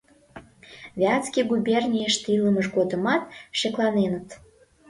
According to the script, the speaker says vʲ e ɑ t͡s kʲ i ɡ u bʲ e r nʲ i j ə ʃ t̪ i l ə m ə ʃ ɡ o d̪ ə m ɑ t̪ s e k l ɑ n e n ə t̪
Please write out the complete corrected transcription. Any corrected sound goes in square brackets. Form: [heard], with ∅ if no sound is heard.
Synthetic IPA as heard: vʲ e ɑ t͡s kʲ i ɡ u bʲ e r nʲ i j ə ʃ t̪ i l ə m ə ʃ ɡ o d̪ ə m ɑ t̪ [ʃ] e k l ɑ n e n ə t̪